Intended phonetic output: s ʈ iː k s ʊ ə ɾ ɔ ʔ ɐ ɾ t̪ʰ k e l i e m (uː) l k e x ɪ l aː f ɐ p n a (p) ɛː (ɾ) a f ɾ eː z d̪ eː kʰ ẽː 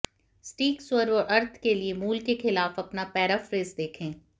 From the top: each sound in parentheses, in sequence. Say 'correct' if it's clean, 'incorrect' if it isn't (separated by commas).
correct, correct, correct